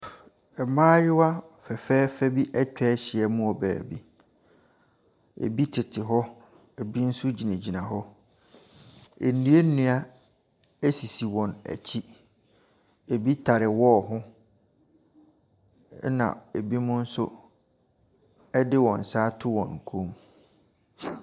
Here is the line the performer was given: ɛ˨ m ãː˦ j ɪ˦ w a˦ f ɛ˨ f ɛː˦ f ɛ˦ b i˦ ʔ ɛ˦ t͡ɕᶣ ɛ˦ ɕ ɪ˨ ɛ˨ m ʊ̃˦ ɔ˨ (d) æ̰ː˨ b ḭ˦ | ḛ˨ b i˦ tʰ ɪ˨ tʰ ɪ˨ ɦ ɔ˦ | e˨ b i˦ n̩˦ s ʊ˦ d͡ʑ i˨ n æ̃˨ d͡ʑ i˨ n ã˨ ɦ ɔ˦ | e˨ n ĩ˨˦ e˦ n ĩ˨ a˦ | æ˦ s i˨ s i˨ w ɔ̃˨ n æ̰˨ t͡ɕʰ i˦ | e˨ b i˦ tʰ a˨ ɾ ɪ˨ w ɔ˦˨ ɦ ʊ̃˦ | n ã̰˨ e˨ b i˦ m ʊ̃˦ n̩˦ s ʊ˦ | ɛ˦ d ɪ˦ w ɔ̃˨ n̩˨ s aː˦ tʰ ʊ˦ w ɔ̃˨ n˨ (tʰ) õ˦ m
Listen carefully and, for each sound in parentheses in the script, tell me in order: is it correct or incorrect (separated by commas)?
incorrect, incorrect